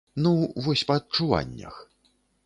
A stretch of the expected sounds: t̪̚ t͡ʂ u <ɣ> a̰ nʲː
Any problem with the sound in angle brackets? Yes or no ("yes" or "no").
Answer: yes